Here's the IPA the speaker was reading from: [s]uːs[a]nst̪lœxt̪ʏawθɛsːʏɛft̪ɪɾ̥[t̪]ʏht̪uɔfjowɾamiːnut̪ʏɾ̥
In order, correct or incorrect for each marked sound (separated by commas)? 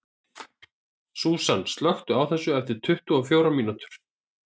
correct, correct, incorrect